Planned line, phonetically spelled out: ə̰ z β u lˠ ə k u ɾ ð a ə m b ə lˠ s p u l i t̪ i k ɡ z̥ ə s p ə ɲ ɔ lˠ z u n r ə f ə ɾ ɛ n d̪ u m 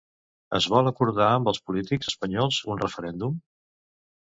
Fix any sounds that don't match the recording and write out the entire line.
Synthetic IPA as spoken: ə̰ z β ɔ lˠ ə k u ɾ ð a ə m b ə lˠ s p u l i t̪ i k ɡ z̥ ə s p ə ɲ ɔ lˠ z u n r ə f ə ɾ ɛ n d̪ u m